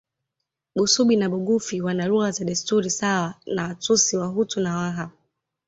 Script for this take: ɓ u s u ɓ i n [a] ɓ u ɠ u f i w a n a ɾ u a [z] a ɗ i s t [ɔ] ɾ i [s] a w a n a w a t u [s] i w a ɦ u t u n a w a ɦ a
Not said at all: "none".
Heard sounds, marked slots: a, z, u, s, s

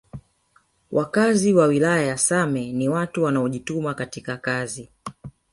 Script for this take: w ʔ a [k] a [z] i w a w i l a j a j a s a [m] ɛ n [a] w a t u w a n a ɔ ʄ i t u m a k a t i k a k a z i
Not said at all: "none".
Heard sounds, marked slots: k, z, m, i

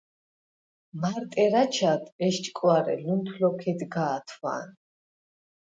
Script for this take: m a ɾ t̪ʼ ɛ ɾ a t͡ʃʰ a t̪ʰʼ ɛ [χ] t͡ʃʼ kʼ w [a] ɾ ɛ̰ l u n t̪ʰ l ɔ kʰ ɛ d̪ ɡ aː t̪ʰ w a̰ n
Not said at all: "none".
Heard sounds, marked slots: ʃ, a

